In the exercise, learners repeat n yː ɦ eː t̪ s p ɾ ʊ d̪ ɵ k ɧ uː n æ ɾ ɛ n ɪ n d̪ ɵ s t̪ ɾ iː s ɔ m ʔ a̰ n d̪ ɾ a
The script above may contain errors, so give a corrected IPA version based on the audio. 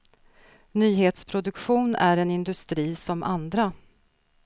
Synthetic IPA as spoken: n yː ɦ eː t̪ s pʰ ɾ ʊ d̪ ɵ k ɧ uː n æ ɾ ɛ n ɪ n d̪ ɵ s t̪ ɾ iː s ɔ m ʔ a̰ n d̪ ɾ a